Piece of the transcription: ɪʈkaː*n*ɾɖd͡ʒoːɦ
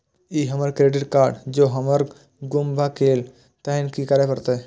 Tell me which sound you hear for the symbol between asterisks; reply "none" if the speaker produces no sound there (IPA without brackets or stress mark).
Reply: none